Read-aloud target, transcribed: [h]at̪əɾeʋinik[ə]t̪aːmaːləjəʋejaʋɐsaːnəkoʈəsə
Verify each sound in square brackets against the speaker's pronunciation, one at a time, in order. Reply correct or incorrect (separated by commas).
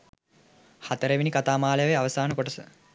correct, incorrect